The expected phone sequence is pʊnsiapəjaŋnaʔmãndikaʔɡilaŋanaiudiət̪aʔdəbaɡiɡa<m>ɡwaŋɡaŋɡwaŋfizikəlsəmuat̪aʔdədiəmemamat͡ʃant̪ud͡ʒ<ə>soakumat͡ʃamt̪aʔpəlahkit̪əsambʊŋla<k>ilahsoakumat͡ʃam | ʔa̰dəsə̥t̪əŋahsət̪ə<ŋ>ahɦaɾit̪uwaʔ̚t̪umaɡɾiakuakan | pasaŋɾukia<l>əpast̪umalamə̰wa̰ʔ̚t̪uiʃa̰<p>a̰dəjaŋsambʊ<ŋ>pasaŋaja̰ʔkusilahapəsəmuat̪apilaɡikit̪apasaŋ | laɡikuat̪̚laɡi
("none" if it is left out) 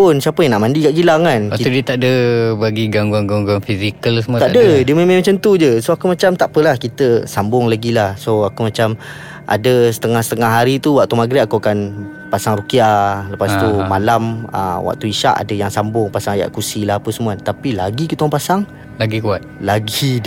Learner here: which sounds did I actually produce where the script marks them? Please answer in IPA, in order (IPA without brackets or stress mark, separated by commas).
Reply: ŋ, ə, ɡ, ŋ, l, ʔ, ŋ